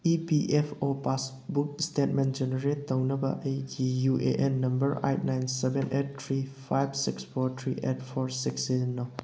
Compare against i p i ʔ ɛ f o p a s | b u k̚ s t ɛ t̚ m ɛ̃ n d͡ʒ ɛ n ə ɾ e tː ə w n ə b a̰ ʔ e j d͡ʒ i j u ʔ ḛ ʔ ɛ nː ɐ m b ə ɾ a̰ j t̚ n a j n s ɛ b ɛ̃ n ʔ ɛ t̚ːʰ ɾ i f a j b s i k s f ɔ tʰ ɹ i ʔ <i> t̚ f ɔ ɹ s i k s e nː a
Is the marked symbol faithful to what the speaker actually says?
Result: no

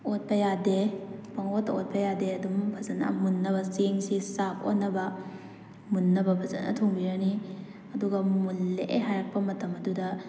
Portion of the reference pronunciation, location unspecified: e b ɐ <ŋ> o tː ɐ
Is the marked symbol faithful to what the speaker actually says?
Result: yes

